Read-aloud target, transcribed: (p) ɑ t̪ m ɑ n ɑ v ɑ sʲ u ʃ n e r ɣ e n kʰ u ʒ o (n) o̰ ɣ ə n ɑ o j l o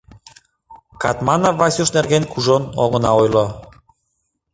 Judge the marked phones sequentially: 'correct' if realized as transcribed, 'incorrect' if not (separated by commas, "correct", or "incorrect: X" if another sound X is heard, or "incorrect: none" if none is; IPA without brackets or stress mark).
incorrect: k, correct